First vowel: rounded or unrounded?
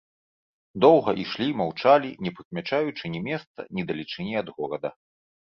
rounded